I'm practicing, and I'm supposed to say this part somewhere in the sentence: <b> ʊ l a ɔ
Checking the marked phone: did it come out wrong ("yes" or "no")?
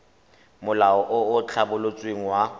yes